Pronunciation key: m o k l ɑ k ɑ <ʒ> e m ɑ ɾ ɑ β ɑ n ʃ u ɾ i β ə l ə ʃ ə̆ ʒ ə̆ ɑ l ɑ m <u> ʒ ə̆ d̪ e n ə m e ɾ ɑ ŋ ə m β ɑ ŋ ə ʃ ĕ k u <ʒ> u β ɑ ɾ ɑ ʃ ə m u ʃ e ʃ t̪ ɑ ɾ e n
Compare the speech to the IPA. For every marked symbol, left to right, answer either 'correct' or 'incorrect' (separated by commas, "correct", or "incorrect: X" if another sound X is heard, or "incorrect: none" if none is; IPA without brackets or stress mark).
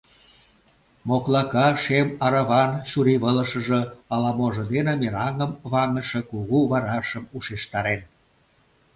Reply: incorrect: ʃ, incorrect: o, incorrect: ɣ